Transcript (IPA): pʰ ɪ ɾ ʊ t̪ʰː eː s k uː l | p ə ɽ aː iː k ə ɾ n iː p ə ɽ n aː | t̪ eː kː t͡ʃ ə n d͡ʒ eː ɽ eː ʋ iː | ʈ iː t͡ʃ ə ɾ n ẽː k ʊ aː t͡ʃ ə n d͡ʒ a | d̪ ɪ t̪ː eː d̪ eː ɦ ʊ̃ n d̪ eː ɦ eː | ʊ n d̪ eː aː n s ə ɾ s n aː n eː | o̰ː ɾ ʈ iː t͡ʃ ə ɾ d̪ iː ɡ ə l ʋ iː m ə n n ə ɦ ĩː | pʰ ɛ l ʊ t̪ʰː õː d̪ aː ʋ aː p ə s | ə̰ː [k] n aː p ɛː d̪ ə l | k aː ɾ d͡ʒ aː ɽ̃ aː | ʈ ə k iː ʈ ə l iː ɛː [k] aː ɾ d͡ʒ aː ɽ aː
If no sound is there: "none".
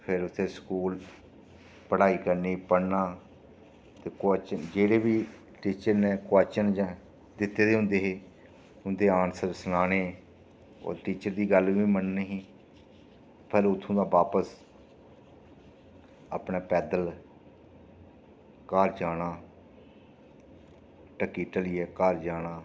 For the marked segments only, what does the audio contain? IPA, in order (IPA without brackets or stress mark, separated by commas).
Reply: p, k